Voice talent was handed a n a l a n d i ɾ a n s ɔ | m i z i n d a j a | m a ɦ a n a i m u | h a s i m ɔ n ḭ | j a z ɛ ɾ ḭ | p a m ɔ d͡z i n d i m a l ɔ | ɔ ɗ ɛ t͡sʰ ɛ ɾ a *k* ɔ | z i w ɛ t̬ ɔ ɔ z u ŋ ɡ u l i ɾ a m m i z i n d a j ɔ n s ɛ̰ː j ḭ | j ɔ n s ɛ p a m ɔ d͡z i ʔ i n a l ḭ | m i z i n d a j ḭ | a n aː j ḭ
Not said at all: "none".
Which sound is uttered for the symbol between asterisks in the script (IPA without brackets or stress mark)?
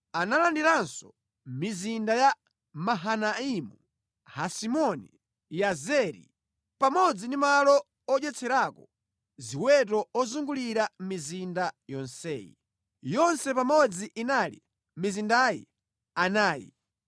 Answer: k